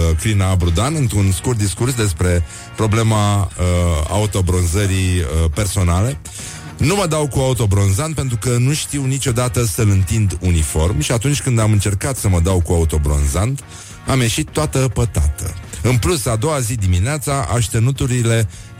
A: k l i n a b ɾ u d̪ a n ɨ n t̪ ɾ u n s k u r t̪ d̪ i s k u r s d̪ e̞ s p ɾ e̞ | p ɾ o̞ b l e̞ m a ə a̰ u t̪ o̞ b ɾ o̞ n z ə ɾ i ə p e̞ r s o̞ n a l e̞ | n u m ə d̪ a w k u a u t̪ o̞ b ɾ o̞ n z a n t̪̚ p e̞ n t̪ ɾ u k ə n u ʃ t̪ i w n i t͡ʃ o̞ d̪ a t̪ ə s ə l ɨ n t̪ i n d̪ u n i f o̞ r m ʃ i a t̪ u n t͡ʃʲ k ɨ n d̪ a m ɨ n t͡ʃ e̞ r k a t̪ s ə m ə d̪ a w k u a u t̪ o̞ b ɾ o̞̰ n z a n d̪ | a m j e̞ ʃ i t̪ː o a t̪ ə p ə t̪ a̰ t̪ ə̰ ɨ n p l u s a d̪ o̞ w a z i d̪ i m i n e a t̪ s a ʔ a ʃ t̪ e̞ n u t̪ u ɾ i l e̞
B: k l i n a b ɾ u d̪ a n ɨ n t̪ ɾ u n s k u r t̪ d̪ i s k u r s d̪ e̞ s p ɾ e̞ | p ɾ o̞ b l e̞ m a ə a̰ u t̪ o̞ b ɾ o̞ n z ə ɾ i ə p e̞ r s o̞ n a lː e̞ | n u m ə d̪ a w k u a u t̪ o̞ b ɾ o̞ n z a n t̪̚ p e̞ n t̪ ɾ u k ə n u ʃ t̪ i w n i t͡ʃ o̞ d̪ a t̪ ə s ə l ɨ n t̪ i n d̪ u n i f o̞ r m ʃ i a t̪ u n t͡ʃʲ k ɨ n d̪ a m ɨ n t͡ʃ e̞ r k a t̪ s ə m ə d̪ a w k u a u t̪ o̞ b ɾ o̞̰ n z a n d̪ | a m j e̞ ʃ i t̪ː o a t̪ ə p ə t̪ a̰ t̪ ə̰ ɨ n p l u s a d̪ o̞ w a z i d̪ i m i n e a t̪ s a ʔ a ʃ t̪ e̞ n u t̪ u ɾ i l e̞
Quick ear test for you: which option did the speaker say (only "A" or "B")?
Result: A